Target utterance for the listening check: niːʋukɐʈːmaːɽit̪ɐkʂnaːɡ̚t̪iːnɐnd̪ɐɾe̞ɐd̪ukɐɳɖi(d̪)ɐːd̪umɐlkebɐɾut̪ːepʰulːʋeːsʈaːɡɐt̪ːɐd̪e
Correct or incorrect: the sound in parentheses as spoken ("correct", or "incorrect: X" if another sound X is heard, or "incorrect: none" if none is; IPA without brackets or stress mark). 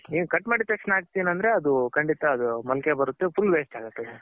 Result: incorrect: t̪